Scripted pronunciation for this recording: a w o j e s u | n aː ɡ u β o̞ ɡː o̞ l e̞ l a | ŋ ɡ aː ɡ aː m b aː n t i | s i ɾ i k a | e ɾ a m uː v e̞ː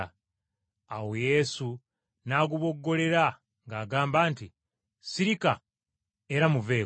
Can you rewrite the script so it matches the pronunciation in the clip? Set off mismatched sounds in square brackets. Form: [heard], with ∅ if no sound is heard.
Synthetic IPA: a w o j e s u | n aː ɡ u β o̞ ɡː o̞ l e̞ [ɾ] a | ŋ ɡ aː ɡ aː m b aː n t i | s i ɾ i k a | e ɾ a m [u] v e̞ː